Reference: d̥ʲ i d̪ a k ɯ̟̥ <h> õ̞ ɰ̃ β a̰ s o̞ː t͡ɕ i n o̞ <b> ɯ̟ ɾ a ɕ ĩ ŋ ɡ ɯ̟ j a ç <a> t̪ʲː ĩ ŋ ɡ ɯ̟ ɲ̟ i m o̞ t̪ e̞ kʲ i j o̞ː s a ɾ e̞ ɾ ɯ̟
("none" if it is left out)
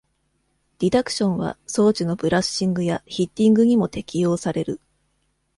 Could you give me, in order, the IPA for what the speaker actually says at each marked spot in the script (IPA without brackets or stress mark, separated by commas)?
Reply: ɕ, b, i